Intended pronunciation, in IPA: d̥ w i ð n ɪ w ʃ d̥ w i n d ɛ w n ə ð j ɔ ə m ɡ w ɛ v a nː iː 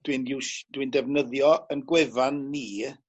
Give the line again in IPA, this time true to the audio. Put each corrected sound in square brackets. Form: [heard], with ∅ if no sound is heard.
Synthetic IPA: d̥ w i [∅] n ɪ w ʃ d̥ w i n d ɛ [v] n ə ð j ɔ ə [n] ɡ w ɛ v a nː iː